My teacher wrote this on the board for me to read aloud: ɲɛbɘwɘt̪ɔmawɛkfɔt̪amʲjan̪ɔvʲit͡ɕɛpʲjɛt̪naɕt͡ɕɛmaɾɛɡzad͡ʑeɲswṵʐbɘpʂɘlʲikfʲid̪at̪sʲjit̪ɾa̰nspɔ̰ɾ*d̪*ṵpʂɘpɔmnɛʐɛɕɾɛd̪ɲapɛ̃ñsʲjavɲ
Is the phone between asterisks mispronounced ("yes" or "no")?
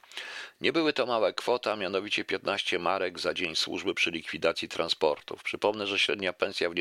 yes